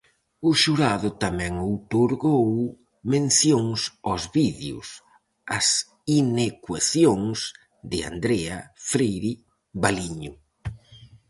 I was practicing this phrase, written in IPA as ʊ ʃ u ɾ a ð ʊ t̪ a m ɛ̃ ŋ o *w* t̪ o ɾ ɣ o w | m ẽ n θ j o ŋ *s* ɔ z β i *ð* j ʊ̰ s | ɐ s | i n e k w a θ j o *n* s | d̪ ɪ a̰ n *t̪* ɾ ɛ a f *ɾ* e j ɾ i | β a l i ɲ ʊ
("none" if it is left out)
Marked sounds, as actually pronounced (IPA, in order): w, s, ð, ŋ, d̪, ɾ

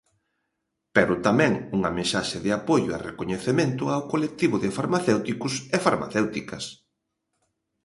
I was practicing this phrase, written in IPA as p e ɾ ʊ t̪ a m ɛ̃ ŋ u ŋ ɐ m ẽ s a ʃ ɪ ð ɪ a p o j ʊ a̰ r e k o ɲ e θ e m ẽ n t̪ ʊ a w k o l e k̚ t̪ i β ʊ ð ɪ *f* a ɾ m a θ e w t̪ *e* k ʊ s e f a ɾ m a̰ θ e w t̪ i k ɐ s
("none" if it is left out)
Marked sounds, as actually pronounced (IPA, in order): f, i

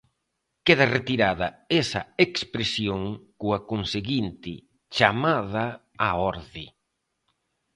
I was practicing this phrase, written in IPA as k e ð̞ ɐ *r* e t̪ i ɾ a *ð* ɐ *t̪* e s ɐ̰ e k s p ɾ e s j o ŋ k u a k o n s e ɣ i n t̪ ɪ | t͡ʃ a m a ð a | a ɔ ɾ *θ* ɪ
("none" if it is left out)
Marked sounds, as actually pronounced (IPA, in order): r, ð, none, ð

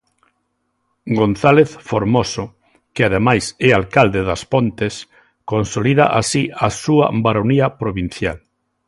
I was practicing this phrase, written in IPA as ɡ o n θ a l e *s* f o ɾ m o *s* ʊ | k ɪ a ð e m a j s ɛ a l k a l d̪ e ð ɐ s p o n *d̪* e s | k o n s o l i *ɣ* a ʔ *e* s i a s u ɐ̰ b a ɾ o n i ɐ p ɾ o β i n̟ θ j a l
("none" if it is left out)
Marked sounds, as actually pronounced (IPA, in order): θ, s, t̪, ð, a

